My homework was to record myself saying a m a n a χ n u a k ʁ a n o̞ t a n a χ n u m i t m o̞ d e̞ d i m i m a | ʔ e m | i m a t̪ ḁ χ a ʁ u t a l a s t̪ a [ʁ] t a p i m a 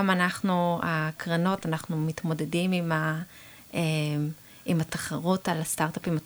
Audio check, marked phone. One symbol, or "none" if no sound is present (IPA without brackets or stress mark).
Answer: ʁ